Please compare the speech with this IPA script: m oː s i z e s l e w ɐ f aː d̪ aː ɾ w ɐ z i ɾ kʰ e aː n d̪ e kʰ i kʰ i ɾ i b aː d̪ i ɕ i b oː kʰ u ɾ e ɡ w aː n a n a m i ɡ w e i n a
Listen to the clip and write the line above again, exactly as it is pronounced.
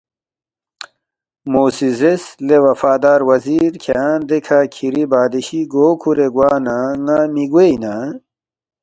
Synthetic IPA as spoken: m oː s i z e s l e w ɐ f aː d̪ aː ɾ w ɐ z i ɾ kʰ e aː n d̪ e kʰ a kʰ i ɾ i b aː d̪ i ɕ i ɡ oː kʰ u ɾ e ɡ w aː n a ŋ a m i ɡ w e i n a